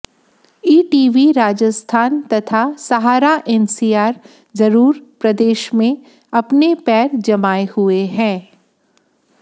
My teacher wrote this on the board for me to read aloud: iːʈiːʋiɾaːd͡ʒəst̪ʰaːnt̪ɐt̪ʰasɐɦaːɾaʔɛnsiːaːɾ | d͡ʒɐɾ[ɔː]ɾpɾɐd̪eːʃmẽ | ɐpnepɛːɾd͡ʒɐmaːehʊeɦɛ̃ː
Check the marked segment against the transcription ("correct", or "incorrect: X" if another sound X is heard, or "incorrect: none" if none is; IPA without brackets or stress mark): incorrect: uː